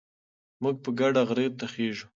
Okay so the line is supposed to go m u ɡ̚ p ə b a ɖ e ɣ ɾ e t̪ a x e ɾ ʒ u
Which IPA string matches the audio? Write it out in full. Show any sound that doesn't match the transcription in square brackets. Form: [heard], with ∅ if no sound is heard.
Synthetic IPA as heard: m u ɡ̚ p ə [ɡ] a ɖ [a] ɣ ɾ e t̪ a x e [∅] ʒ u